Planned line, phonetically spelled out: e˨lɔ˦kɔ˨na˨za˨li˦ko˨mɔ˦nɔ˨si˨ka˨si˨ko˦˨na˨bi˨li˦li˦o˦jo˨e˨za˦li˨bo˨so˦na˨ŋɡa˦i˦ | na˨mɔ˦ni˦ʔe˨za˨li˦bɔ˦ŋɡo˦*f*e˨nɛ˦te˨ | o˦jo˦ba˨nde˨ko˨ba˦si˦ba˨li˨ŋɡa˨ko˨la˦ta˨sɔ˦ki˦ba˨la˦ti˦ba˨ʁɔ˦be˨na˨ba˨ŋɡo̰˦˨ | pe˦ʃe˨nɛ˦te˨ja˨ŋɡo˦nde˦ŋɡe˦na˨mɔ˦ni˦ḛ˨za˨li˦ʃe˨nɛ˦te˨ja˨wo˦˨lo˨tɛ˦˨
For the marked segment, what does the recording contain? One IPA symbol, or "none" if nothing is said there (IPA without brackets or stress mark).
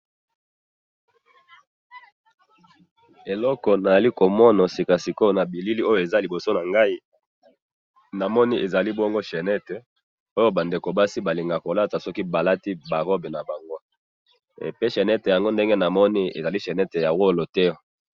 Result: ʃ